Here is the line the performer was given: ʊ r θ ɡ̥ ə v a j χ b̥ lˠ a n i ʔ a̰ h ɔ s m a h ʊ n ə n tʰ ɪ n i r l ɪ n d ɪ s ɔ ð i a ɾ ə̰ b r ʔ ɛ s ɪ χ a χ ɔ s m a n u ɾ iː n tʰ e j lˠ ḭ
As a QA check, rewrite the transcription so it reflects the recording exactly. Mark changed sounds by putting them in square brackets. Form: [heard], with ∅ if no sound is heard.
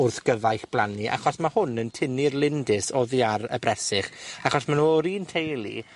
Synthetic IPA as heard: ʊ r θ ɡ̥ ə v a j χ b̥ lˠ a n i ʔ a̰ [χ] ɔ s m a h ʊ n ə n tʰ ɪ n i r l ɪ n d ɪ s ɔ ð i a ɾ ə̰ b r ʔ ɛ s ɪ χ a χ ɔ s m a n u ɾ iː n tʰ e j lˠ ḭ